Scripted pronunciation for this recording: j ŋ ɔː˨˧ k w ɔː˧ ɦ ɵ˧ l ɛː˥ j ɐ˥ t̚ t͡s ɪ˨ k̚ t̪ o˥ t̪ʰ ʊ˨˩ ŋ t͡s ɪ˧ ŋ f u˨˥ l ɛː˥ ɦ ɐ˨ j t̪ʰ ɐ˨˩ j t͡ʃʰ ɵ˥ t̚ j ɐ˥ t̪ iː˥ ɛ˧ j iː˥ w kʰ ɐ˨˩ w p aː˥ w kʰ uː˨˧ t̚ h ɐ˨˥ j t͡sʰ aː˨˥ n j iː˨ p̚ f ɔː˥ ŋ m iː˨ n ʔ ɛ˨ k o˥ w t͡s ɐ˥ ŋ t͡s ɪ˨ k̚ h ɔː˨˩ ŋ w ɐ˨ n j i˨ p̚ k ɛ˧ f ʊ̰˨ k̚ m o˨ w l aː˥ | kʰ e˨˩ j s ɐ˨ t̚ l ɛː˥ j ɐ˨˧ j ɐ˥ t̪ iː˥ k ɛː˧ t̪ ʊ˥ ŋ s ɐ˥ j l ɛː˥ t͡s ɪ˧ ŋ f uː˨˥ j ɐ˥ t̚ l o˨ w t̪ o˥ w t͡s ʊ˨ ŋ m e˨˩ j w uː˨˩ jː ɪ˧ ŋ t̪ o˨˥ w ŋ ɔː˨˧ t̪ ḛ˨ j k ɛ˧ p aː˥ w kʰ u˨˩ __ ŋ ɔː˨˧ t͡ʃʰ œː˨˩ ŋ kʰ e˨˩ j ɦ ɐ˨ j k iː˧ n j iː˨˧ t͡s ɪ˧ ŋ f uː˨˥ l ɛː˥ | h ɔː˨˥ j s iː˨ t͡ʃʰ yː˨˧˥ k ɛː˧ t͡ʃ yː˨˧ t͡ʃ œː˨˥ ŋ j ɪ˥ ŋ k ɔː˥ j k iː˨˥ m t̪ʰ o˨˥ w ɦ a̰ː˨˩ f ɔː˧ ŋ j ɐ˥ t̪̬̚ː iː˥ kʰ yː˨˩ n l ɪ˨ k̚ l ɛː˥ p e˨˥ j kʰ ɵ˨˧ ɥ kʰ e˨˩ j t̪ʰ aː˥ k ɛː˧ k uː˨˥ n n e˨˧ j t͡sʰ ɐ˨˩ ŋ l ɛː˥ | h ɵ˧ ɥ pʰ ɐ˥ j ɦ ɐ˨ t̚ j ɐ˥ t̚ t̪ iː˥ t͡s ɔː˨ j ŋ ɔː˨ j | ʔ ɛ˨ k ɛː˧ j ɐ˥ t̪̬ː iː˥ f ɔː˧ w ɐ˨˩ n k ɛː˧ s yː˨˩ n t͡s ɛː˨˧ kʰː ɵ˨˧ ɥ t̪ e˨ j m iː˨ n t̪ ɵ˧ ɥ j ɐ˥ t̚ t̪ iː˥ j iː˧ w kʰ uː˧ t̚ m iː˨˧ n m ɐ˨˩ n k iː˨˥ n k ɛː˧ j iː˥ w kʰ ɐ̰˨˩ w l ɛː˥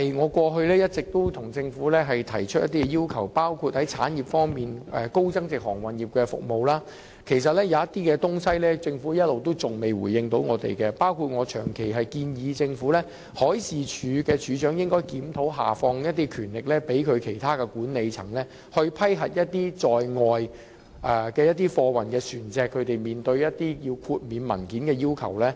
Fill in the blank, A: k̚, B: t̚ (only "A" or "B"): B